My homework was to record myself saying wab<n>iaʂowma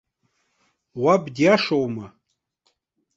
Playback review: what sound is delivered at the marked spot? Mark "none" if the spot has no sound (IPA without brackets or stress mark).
d